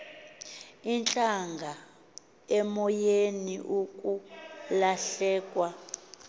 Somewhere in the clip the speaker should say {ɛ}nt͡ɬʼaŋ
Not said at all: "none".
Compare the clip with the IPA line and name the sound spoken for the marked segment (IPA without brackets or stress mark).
i